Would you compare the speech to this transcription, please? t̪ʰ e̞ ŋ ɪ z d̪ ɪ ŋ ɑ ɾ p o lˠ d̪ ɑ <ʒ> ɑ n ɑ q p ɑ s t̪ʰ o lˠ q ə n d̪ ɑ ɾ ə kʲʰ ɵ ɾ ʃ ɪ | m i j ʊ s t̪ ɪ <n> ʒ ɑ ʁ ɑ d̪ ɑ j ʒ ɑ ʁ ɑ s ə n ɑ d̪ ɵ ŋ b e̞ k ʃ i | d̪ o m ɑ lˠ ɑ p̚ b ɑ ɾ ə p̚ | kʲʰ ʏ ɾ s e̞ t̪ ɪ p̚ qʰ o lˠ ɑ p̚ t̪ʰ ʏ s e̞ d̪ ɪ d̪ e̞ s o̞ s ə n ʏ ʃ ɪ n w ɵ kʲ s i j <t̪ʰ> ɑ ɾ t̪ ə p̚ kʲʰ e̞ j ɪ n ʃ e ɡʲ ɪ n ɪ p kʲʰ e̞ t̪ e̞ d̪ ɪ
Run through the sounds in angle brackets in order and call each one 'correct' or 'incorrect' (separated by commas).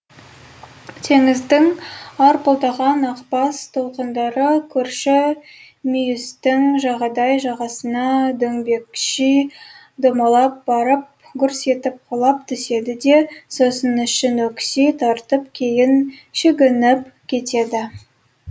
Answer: incorrect, incorrect, correct